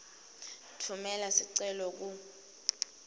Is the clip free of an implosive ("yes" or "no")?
yes